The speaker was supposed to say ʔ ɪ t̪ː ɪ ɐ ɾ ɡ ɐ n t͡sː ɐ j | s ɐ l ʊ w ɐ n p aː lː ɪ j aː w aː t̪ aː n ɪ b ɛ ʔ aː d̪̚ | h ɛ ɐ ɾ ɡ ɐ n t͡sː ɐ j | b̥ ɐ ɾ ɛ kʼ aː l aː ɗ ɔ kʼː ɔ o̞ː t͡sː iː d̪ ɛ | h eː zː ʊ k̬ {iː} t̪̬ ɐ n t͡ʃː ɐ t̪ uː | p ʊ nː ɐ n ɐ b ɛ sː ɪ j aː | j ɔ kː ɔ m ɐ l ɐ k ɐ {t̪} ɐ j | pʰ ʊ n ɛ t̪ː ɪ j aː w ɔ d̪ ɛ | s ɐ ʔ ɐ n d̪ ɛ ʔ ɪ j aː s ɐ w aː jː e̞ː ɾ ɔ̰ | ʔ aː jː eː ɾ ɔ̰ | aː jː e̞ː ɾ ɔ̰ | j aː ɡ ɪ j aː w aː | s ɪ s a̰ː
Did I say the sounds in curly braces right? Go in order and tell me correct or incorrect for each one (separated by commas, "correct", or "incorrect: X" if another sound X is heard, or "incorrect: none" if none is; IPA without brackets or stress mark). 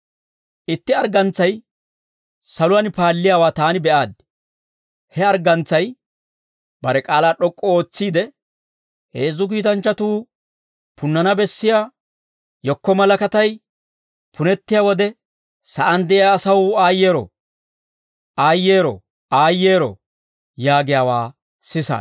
correct, correct